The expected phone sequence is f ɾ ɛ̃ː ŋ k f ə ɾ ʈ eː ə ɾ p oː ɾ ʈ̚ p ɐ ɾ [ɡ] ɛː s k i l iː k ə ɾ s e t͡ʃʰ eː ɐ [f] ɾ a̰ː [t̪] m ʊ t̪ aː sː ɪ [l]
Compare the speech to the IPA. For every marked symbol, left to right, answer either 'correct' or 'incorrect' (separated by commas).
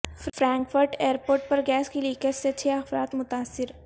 correct, correct, correct, incorrect